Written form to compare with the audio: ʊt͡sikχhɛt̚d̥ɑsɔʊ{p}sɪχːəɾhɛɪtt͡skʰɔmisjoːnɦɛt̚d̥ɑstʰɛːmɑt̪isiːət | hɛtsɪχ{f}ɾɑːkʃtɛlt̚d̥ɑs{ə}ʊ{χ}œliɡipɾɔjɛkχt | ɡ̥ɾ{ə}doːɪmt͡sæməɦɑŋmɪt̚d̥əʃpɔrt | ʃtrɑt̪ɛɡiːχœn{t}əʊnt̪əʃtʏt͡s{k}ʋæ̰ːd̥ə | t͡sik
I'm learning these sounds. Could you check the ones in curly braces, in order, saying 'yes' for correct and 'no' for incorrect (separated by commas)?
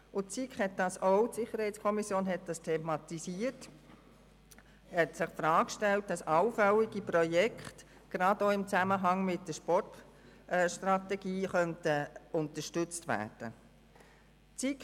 no, yes, no, no, no, yes, no